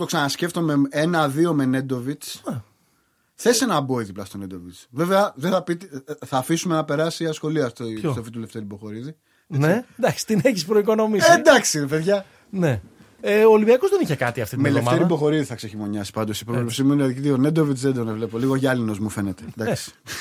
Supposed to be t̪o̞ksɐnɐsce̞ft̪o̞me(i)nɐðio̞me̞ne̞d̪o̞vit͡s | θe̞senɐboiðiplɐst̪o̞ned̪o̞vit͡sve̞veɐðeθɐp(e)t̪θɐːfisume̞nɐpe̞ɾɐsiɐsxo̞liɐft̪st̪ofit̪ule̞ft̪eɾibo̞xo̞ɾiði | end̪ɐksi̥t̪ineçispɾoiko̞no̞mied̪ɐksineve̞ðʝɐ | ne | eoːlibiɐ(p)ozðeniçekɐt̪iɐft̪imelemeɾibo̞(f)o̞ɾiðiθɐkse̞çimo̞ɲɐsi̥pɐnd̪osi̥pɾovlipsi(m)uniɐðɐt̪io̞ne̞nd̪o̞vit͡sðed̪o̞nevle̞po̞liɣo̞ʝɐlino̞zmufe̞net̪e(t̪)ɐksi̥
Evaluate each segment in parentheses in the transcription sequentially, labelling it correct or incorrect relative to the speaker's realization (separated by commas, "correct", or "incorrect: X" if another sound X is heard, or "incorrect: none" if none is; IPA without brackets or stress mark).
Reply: incorrect: e, incorrect: i, incorrect: k, incorrect: x, correct, incorrect: d̪